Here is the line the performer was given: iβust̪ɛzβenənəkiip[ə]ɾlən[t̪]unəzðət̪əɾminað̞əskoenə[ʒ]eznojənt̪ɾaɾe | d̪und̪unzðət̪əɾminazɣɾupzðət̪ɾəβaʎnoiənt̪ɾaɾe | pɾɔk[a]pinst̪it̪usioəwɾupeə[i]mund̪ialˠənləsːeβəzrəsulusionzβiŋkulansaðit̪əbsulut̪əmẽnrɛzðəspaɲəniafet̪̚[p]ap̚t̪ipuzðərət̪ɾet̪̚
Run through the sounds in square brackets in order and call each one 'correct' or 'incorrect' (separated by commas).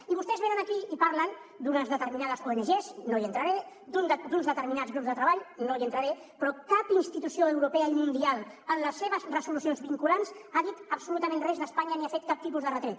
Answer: incorrect, incorrect, correct, correct, correct, incorrect